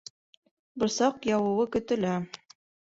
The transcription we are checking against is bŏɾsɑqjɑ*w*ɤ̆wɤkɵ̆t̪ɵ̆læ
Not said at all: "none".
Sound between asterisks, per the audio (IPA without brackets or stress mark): w